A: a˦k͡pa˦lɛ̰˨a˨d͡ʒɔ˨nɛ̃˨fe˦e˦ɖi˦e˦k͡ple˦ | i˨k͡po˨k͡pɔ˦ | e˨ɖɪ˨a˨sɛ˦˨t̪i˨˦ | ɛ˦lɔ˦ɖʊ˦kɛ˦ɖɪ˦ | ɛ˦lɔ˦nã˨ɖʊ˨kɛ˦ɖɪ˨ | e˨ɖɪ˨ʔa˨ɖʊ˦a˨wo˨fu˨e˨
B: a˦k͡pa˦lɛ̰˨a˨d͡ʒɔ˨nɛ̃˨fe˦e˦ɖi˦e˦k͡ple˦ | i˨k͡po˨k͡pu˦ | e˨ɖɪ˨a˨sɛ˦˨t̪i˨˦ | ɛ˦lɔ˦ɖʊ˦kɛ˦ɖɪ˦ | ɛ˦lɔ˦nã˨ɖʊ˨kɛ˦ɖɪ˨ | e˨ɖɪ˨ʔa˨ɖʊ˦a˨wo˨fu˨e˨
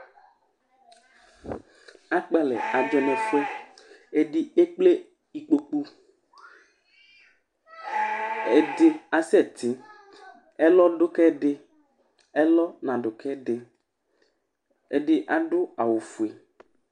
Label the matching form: B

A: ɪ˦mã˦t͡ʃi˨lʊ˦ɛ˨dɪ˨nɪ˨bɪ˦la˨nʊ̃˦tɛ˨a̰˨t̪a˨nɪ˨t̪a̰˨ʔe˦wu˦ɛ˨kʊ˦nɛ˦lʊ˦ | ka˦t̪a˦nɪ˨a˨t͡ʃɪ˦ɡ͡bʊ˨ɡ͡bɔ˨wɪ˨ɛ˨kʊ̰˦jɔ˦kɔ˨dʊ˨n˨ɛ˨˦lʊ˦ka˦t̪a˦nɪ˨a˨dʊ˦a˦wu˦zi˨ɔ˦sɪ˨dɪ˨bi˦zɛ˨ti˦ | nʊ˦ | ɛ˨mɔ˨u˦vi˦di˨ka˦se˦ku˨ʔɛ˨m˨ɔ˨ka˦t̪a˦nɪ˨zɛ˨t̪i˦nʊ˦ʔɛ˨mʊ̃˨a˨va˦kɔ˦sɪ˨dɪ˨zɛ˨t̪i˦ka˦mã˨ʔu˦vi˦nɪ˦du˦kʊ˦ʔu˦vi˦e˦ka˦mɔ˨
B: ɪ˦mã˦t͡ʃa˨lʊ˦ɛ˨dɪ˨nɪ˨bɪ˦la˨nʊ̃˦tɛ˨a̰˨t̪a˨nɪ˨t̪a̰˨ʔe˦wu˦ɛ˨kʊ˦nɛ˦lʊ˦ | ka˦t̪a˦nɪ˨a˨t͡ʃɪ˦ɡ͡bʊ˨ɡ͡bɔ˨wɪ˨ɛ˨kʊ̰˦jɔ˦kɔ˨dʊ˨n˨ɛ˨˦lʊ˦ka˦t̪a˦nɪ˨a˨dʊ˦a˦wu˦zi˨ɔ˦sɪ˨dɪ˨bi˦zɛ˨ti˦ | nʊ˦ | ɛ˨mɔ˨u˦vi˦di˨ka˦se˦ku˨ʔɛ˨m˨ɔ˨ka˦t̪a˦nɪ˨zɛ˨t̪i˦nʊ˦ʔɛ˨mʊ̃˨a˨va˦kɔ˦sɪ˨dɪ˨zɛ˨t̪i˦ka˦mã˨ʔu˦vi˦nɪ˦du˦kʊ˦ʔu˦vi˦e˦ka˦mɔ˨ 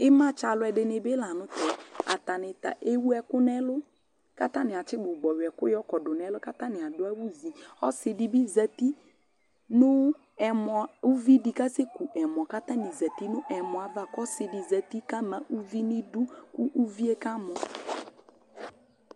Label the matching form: B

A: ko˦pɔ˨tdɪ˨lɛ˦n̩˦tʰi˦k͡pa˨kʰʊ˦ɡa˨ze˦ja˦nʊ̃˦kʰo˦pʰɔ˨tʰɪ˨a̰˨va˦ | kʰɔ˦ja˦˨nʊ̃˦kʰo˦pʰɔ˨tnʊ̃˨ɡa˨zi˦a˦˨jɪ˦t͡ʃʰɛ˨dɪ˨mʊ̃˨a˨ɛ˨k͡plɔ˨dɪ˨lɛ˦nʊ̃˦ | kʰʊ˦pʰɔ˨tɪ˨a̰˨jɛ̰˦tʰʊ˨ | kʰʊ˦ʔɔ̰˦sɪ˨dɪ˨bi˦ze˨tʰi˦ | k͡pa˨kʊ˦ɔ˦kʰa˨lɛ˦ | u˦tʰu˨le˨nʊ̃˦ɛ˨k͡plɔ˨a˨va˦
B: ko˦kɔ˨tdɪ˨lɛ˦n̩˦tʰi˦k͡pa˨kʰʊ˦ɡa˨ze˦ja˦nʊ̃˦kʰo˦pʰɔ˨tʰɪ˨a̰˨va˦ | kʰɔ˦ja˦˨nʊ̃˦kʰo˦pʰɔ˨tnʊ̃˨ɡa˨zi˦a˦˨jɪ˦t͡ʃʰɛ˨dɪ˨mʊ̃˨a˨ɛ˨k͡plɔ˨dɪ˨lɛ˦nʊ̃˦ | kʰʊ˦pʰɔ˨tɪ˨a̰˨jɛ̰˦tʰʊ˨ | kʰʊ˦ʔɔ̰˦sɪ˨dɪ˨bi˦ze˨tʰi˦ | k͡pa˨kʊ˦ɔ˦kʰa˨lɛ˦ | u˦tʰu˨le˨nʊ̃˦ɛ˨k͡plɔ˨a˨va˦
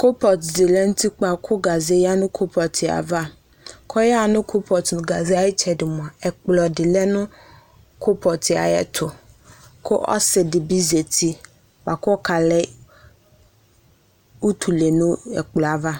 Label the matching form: A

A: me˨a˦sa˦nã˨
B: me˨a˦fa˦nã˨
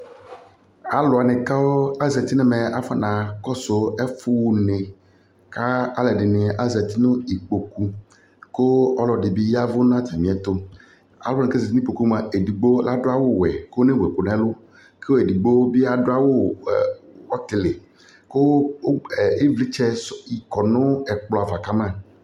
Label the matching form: B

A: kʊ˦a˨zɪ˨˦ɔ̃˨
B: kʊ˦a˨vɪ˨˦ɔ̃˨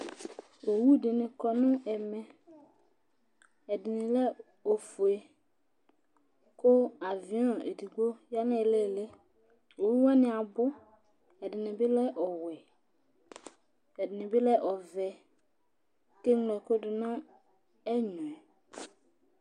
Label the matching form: B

